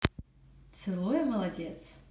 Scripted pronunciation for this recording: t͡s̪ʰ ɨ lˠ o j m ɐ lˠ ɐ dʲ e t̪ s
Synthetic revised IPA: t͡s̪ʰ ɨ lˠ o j m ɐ lˠ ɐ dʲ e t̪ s